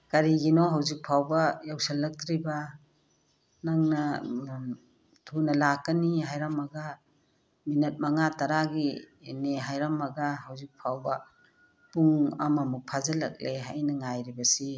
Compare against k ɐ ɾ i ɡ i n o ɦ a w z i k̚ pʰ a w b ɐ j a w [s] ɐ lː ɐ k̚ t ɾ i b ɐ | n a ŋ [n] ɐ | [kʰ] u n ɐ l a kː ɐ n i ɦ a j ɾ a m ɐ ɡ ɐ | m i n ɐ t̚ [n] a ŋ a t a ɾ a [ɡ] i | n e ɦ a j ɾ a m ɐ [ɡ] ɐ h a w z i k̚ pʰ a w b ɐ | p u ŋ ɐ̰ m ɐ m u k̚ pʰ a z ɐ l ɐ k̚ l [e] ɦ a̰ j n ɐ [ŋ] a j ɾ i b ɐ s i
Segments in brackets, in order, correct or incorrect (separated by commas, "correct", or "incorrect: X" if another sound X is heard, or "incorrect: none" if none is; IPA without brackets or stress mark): correct, correct, incorrect: tʰ, incorrect: m, correct, correct, correct, correct